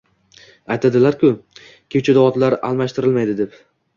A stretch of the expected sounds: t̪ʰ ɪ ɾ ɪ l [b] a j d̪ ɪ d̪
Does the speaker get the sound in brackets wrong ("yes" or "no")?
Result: yes